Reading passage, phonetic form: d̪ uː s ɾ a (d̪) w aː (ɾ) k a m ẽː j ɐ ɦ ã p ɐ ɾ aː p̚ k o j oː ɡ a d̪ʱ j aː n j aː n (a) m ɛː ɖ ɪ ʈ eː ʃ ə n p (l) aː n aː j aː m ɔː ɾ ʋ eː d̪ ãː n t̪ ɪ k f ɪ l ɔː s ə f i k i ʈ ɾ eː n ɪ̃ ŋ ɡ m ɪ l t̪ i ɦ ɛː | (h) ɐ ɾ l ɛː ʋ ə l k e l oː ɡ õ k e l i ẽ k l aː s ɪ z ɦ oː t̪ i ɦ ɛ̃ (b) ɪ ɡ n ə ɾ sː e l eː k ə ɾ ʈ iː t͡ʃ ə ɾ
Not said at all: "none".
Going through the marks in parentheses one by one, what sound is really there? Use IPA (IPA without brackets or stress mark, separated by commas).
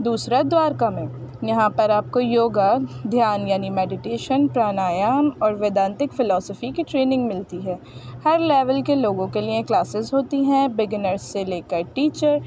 d̪, ɾ, i, ɾ, h, b